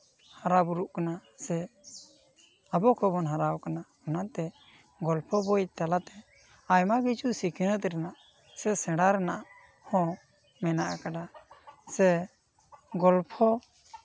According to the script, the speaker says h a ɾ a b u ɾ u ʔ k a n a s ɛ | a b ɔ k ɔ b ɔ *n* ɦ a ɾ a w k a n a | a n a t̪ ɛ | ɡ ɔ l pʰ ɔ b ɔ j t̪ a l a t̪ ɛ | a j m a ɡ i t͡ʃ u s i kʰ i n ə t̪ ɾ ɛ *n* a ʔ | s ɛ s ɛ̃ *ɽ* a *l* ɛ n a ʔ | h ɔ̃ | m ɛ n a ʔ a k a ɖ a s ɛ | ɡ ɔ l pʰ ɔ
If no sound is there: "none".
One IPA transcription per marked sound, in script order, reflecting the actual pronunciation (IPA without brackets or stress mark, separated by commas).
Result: n, n, ɽ, ɾ